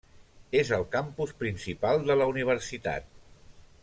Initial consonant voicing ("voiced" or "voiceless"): voiced